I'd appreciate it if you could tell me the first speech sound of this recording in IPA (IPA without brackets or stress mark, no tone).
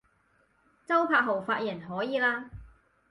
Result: t͡s